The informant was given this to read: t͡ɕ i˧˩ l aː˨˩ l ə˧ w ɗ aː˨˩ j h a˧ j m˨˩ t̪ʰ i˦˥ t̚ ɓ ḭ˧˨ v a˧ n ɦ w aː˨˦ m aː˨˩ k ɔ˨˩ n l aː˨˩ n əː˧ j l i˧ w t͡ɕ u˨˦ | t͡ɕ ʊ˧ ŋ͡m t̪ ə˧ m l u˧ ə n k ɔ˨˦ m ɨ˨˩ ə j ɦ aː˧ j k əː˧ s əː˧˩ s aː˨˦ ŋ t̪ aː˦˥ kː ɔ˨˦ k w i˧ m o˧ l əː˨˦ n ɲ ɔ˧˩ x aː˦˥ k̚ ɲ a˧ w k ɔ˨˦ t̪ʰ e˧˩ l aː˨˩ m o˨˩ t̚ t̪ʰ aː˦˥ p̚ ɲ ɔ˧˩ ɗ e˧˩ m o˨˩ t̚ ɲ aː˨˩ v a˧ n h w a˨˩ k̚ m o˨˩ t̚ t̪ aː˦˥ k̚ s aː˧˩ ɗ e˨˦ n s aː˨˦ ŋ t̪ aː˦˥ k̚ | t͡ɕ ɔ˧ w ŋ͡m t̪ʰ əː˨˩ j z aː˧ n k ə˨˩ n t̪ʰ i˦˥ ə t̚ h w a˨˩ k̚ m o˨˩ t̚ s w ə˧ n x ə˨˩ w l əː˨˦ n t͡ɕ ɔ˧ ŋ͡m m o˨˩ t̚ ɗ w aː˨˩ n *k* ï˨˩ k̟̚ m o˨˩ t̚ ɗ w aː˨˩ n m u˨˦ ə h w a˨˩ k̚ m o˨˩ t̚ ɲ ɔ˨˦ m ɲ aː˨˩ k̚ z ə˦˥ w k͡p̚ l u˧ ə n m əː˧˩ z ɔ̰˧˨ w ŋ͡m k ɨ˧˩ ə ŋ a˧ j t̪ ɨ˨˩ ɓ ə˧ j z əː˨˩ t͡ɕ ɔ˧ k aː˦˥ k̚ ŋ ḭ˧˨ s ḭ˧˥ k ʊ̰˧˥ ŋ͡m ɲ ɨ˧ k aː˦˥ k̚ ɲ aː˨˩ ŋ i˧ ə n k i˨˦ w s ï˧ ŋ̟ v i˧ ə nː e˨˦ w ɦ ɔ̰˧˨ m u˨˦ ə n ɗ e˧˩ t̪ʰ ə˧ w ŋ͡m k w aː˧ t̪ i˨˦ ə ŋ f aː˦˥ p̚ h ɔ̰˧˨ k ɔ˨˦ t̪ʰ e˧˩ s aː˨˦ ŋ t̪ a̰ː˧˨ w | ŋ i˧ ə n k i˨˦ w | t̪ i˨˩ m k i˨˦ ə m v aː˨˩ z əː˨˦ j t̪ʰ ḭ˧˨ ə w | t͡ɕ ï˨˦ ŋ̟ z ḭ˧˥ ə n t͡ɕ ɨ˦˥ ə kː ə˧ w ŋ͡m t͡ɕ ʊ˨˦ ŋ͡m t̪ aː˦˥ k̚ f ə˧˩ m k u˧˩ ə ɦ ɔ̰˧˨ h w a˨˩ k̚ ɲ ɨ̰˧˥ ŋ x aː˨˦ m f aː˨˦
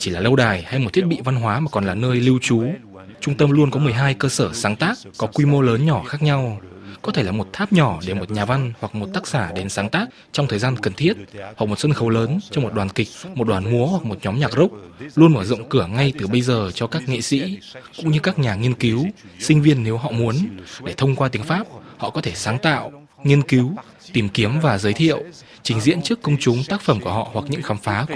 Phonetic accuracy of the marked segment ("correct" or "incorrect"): correct